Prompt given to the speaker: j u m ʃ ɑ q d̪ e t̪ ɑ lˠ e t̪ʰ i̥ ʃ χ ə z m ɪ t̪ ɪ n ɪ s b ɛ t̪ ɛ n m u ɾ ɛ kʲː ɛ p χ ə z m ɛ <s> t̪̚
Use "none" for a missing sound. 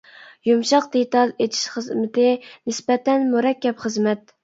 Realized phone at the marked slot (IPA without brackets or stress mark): none